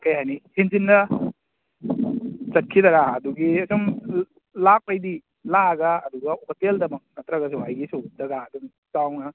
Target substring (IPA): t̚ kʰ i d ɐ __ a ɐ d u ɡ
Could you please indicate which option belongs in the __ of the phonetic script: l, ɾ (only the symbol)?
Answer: ɾ